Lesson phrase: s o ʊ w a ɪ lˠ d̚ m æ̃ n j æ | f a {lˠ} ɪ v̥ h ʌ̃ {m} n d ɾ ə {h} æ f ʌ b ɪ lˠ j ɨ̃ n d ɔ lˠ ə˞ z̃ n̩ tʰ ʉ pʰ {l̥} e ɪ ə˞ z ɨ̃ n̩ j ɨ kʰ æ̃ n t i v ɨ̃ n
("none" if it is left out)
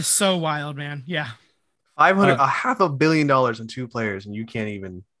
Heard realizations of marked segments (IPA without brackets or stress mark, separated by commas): none, none, h, l̥